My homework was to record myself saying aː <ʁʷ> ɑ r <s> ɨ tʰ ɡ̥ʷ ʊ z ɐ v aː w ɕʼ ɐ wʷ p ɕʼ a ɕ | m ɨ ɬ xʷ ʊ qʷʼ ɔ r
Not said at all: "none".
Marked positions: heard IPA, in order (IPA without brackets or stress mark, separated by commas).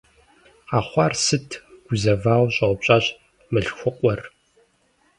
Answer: χʷ, s